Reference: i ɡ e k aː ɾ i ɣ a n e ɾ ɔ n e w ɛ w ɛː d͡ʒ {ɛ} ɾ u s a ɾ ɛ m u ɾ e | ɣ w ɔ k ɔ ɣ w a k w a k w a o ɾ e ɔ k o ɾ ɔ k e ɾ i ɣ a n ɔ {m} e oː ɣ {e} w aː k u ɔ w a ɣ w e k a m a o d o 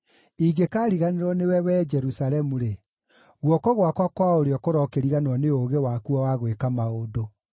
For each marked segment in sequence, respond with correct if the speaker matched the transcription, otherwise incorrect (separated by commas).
correct, incorrect, correct